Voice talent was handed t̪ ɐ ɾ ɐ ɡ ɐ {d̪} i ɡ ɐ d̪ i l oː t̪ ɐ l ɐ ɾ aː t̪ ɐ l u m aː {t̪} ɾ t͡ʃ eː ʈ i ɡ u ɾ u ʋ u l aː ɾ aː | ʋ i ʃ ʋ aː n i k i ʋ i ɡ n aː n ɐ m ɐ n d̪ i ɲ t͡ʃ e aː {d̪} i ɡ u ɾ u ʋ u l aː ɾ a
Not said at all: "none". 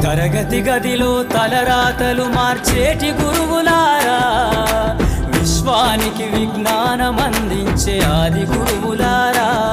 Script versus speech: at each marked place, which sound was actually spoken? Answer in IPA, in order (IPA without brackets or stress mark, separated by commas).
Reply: t̪, none, d̪